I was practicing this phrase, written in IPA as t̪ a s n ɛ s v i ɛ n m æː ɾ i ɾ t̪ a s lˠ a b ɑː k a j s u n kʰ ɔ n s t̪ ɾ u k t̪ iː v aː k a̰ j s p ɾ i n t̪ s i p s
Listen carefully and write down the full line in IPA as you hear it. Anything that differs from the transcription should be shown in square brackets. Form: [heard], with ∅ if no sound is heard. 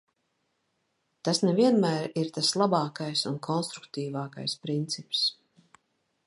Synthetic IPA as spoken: t̪ a s n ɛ [∅] v i ɛ n m æː ɾ i ɾ t̪ a s lˠ a b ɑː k a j s u n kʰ ɔ n s t̪ ɾ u k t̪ iː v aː k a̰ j s p ɾ i n t̪ s i p s